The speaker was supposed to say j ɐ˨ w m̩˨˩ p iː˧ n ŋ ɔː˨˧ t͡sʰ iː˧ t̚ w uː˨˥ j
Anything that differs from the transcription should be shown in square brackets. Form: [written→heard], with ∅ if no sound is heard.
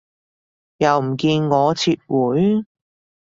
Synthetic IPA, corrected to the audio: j ɐ˨ w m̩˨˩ [p→k] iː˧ n ŋ ɔː˨˧ t͡sʰ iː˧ t̚ w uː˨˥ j